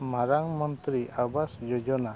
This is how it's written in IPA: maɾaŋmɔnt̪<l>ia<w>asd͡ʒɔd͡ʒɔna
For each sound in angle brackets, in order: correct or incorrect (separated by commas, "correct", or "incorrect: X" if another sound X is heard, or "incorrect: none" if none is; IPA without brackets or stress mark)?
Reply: incorrect: ɾ, incorrect: b